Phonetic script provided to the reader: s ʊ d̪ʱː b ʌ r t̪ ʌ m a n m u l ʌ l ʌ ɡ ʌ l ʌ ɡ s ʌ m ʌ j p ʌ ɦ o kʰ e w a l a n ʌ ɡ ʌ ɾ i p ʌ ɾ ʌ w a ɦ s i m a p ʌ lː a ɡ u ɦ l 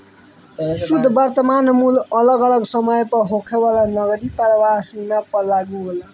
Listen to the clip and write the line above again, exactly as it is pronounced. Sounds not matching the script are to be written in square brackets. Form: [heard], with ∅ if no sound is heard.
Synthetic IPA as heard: s [u] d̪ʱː b ʌ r t̪ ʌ m a n m u l ʌ l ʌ ɡ ʌ l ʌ ɡ s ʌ m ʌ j p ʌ ɦ o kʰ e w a l a n ʌ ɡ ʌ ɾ i p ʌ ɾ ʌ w a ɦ s i m a p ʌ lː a ɡ u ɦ l